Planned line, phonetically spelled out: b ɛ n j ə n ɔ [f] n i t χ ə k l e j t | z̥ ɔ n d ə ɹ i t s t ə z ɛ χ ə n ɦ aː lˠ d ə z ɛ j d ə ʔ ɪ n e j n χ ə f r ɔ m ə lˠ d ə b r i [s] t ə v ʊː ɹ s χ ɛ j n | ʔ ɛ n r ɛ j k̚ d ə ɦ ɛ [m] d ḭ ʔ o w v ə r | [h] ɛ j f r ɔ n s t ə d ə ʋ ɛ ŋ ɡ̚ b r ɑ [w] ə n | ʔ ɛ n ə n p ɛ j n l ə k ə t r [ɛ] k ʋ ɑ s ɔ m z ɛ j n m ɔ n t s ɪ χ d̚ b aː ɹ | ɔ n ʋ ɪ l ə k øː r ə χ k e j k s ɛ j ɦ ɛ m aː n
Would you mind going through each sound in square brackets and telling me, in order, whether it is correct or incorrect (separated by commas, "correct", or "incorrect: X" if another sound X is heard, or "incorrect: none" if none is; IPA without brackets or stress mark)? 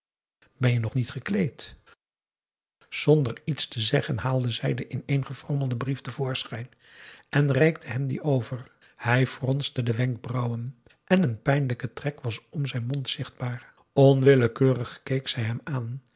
incorrect: χ, incorrect: f, correct, correct, correct, correct